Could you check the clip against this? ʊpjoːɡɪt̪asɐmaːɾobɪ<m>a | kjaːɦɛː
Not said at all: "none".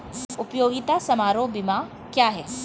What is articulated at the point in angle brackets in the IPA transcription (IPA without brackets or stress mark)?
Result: m